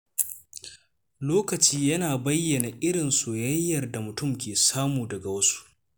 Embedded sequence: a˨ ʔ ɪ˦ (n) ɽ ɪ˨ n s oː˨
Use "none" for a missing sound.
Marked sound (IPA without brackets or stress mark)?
none